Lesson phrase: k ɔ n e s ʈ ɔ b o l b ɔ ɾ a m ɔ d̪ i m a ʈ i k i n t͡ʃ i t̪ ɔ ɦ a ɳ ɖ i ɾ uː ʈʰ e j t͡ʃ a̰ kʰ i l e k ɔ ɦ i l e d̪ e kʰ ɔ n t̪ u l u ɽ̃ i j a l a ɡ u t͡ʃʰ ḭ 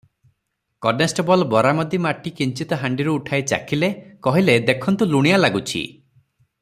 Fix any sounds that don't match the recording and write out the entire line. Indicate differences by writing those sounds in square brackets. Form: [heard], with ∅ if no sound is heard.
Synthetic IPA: k ɔ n e s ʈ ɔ b [ɔ] l b ɔ ɾ a m ɔ d̪ i m a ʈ i k i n t͡ʃ i t̪ ɔ ɦ a ɳ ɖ i ɾ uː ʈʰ [a] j t͡ʃ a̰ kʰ i l e k ɔ ɦ i l e d̪ e kʰ ɔ n t̪ u l u ɽ̃ i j a l a ɡ u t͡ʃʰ ḭ

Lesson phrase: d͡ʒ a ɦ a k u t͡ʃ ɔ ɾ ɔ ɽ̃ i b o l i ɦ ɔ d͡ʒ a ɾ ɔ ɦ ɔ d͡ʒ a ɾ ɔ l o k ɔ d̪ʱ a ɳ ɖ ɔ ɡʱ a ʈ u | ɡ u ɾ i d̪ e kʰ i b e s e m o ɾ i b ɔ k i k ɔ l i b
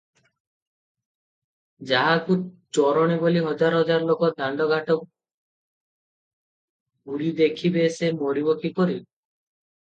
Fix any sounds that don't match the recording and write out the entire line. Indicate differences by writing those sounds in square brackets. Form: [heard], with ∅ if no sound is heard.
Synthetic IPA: d͡ʒ a ɦ a k u t͡ʃ ɔ ɾ ɔ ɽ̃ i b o l i ɦ ɔ d͡ʒ a ɾ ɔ ɦ ɔ d͡ʒ a ɾ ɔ l o k ɔ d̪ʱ a ɳ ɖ ɔ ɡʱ a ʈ [ɔ] | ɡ u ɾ i d̪ e kʰ i b e s e m o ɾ i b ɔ k i k ɔ [ɾ] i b

